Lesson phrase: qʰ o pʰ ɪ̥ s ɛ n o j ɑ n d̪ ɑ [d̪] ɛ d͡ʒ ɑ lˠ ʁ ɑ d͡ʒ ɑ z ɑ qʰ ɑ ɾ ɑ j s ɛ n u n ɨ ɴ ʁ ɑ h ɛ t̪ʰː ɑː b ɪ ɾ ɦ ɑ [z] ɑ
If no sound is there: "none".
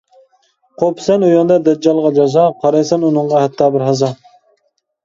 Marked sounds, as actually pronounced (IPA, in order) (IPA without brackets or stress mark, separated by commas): d̪, z